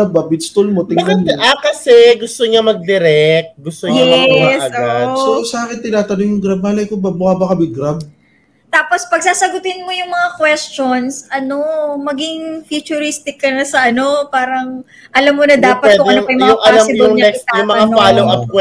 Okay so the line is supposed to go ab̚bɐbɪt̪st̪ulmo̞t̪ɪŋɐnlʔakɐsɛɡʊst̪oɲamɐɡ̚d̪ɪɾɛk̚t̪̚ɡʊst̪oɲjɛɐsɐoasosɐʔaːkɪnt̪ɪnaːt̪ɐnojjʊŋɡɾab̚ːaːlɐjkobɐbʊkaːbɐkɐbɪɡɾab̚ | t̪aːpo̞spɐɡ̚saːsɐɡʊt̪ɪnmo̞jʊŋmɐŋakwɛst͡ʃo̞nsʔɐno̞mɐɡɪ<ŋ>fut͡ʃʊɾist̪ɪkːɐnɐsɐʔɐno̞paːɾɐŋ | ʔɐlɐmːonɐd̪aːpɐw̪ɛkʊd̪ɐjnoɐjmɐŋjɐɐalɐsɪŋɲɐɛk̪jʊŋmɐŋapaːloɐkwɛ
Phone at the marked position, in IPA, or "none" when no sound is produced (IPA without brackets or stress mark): ŋ